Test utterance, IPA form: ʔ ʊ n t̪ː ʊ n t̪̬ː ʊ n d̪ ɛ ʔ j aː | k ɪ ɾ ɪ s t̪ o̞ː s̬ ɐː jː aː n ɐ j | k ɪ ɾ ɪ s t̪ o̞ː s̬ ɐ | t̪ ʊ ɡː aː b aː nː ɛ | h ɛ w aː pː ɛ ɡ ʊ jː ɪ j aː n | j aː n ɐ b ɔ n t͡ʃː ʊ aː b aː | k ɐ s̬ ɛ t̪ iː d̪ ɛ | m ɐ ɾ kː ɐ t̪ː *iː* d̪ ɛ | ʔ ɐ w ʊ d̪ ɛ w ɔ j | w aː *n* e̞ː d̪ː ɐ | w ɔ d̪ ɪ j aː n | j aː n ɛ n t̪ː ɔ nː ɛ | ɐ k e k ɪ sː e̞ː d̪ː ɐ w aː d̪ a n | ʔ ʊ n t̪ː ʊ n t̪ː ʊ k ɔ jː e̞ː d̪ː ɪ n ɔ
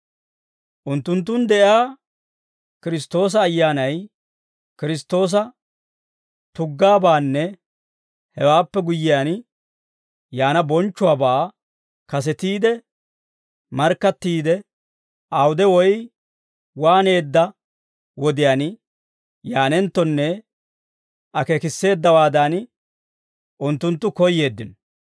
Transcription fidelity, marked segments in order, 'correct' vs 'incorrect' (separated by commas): correct, correct